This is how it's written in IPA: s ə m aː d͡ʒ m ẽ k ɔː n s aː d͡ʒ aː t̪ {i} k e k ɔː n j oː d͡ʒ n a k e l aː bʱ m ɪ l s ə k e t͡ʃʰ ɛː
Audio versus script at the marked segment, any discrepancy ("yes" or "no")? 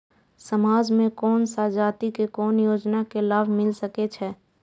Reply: no